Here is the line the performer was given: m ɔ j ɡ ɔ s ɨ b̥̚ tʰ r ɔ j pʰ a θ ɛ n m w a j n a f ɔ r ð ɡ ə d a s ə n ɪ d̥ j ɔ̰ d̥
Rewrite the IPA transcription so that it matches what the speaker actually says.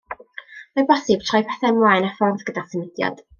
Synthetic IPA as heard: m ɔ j b ɔ s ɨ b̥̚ tʰ r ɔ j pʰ ɛ θ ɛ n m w a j n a f ɔ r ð ɡ ə d a s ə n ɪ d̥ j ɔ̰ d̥